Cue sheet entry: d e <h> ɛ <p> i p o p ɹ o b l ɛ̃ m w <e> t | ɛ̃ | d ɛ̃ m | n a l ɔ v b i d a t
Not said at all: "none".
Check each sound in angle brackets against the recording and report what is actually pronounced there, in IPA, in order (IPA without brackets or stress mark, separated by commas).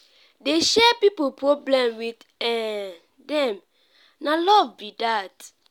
ʃ, p, i